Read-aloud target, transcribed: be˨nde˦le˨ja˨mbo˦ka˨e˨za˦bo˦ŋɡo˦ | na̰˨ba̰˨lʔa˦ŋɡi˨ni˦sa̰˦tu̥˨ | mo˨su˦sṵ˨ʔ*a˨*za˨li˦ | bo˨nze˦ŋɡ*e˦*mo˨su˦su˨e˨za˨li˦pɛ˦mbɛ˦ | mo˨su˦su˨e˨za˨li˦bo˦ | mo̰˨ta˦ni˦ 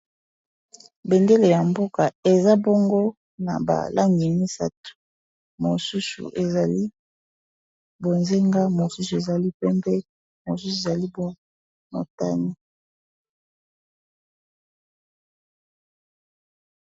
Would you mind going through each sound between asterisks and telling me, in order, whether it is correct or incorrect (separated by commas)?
incorrect, incorrect